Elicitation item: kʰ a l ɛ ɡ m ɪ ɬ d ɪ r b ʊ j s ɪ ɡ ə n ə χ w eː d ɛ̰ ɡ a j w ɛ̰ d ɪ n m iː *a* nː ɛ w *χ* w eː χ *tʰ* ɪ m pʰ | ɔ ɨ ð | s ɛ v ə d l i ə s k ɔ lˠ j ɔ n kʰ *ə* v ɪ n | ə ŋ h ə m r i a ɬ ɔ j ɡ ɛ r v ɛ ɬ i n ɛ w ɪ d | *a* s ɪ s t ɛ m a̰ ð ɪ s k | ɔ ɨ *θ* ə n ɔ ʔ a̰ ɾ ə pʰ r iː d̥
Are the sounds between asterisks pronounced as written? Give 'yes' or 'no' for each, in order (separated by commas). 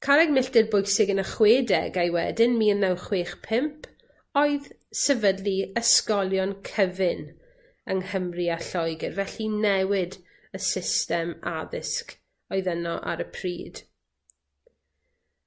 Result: no, yes, no, yes, no, no